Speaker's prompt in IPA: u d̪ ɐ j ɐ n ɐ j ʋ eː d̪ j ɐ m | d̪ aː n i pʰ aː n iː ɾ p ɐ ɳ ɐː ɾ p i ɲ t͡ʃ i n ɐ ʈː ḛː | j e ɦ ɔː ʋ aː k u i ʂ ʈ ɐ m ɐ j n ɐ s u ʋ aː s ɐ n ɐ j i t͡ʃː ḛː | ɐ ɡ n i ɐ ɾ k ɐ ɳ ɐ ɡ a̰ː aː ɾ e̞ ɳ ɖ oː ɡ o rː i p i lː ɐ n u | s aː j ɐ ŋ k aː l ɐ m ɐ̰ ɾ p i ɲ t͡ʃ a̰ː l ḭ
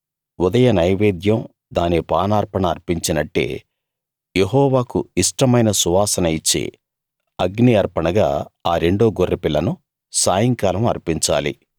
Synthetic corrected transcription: u d̪ ɐ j ɐ n ɐ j ʋ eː d̪ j ɐ m | d̪ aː n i p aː n aː ɾ p ɐ ɳ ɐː ɾ p i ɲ t͡ʃ i n ɐ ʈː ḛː | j e ɦ ɔː ʋ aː k u i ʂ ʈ ɐ m ɐ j n ɐ s u ʋ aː s ɐ n ɐ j i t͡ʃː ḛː | ɐ ɡ n i ɐ ɾ p ɐ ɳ ɐ ɡ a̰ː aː ɾ e̞ ɳ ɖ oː ɡ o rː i p i lː ɐ n u | s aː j ɐ ŋ k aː l ɐ m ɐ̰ ɾ p i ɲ t͡ʃ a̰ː l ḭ